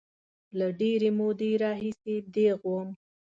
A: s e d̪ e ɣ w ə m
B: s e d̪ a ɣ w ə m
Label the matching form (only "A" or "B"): A